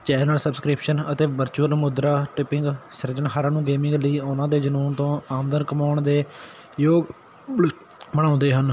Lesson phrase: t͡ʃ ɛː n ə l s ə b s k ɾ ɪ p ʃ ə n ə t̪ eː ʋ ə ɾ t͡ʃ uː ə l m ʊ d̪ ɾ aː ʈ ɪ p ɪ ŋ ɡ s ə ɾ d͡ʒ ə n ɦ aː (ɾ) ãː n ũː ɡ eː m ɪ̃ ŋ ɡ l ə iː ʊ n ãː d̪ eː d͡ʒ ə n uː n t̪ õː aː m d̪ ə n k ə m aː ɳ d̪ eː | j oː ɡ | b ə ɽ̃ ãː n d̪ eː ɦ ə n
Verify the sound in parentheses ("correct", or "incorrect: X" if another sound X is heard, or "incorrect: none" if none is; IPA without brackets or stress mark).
correct